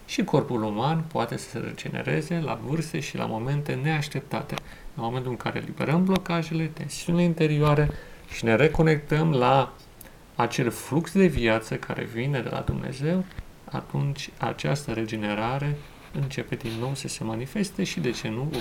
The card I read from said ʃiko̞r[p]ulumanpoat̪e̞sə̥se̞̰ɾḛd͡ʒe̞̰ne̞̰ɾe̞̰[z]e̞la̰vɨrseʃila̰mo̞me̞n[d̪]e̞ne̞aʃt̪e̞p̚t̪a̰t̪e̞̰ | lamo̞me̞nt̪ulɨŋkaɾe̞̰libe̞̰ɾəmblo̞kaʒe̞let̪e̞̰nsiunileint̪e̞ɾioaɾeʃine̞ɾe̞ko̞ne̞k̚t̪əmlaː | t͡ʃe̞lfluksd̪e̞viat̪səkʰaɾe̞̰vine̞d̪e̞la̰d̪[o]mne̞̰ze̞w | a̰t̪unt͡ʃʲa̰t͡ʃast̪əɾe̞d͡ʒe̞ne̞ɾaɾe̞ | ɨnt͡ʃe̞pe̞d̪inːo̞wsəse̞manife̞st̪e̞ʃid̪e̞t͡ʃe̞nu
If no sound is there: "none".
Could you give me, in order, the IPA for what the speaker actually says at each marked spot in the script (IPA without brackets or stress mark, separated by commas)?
p, z, t̪, u